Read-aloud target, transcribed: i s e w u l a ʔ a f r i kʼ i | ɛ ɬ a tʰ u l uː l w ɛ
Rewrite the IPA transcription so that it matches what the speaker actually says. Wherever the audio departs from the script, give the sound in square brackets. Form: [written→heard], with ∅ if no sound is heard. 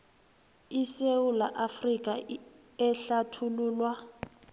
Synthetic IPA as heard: i s e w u l a ʔ a f r i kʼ [i→a] | ɛ ɬ a tʰ u l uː l w [ɛ→a]